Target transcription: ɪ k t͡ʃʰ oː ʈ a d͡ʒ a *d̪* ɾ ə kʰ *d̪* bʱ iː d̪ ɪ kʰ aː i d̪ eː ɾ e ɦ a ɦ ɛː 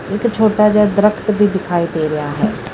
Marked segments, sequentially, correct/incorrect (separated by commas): correct, incorrect